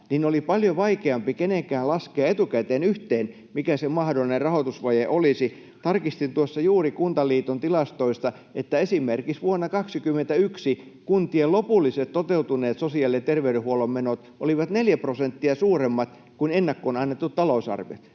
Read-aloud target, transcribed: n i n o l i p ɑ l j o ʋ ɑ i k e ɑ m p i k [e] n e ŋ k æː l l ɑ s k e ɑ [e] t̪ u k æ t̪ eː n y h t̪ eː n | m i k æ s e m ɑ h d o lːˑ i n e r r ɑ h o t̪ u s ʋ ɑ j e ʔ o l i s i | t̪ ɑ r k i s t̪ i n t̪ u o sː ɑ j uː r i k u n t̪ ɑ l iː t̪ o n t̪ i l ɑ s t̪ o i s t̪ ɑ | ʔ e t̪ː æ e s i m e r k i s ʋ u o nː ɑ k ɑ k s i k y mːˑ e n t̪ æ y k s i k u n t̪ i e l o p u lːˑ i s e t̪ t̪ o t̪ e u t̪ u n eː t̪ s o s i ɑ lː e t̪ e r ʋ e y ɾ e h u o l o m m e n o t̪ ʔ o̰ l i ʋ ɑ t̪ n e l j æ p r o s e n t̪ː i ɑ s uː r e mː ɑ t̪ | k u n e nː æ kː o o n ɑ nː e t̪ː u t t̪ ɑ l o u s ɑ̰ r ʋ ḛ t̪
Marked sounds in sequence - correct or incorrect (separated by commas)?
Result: correct, correct